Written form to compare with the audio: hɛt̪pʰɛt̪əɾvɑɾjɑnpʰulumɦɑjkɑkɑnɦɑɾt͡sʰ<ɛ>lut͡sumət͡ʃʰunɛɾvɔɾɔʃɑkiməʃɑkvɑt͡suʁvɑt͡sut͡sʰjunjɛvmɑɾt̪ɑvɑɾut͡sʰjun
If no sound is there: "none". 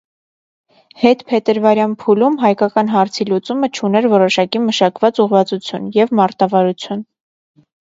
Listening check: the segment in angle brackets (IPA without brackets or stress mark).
i